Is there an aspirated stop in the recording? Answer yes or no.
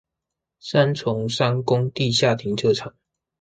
yes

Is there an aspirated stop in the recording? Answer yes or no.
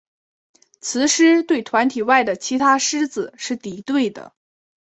yes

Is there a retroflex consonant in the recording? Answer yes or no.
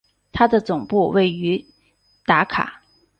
no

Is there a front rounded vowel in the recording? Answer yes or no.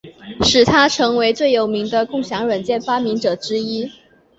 no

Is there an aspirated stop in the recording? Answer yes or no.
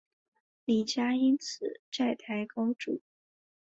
yes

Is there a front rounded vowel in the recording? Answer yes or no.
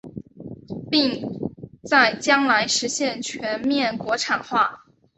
no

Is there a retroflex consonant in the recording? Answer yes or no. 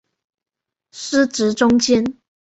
yes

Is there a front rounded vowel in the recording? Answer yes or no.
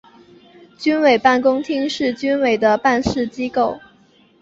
yes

